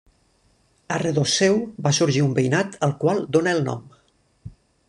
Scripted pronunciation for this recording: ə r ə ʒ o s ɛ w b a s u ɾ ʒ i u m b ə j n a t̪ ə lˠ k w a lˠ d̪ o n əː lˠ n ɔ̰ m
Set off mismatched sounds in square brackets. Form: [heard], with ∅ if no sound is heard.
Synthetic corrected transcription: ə r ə [ð] o s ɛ w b a s u ɾ ʒ i u m b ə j n a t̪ ə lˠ k w a lˠ d̪ o n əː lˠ n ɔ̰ m

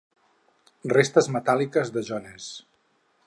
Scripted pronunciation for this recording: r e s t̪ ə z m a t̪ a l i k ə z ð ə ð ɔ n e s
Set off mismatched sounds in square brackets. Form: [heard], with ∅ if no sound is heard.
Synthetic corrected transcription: r e s t̪ ə z m [ə] t̪ a l i k ə z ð ə [ʒ] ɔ n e s

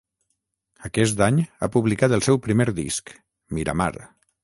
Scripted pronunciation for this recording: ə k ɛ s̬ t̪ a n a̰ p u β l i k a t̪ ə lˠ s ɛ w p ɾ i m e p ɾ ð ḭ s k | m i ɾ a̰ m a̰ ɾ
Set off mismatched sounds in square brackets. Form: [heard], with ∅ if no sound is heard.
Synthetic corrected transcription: ə k ɛ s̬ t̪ a [ɲ] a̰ p u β l i k a t̪ ə lˠ s ɛ w p ɾ i m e [∅] ɾ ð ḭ s k | m i ɾ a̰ m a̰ ɾ

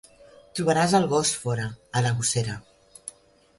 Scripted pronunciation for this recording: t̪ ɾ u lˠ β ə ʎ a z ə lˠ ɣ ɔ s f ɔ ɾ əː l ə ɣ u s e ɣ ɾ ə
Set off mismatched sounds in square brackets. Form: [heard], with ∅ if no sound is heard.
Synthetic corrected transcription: t̪ ɾ u [∅] β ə [ɾ] a z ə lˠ ɣ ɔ s f ɔ ɾ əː l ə ɣ u s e [∅] ɾ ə

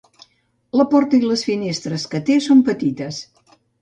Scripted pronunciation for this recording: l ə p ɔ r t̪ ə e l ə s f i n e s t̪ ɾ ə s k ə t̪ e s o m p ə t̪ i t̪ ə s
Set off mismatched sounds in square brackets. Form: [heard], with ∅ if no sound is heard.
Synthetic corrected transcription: l ə p ɔ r t̪ ə [i] l ə s f i n e s t̪ ɾ ə s k ə t̪ e s o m p ə t̪ i t̪ ə s

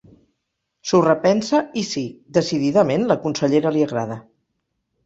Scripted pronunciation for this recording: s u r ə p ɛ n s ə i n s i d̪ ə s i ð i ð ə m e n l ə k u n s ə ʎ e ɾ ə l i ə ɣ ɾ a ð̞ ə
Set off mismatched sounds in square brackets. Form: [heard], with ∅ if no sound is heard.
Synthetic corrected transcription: s u r ə p ɛ n s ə i [∅] s i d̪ ə s i ð i ð ə m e n l ə k u n s ə ʎ e ɾ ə l i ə ɣ ɾ a ð̞ ə

